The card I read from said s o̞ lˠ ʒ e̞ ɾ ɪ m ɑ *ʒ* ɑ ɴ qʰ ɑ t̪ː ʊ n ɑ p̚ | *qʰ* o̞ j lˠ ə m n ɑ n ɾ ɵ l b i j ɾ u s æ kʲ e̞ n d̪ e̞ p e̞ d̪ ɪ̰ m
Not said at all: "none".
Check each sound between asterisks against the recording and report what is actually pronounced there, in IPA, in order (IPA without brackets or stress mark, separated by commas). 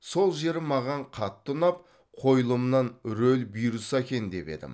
ʁ, qʰ